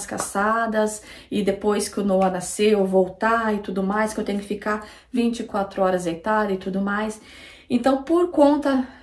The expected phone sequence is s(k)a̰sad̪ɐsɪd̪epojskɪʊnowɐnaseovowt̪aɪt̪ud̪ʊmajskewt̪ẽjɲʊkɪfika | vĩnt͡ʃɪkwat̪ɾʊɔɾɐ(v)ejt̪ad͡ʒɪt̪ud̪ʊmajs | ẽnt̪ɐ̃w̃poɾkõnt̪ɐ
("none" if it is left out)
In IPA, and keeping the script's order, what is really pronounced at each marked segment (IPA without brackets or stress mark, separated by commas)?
k, z